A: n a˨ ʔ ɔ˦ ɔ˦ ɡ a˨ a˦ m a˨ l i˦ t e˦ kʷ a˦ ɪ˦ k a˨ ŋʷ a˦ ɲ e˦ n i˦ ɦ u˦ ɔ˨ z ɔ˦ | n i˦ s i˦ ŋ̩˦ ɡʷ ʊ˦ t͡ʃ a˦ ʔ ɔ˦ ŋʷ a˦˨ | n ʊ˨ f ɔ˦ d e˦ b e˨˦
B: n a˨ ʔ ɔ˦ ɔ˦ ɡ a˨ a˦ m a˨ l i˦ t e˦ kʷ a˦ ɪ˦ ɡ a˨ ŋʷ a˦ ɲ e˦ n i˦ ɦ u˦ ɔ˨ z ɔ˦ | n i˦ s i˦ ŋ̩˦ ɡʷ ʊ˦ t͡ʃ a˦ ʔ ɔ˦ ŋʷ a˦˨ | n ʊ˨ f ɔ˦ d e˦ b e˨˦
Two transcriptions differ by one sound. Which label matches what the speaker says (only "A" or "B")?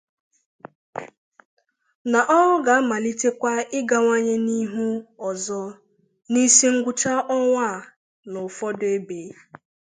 B